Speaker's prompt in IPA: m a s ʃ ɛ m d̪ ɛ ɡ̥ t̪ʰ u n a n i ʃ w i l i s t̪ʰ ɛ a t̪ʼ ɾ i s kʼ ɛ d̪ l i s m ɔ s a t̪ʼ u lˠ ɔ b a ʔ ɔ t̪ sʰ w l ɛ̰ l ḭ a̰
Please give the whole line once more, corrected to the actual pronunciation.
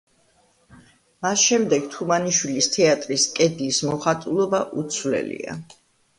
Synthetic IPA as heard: m a s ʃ ɛ m d̪ ɛ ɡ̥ t̪ʰ u m a n i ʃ w i l i s t̪ʰ ɛ a t̪ʼ ɾ i s kʼ ɛ d̪ l i s m ɔ χ a t̪ʼ u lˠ ɔ b a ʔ u t̪ sʰ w l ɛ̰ l ḭ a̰